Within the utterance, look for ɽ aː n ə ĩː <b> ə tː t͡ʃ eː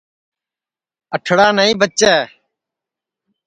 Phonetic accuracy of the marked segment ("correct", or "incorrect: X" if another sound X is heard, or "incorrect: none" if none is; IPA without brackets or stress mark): correct